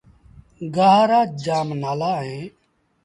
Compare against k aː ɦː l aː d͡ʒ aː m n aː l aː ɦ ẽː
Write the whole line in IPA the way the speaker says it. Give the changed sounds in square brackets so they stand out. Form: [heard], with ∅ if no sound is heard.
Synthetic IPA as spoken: [ɡ] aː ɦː [ɾ] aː d͡ʒ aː m n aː l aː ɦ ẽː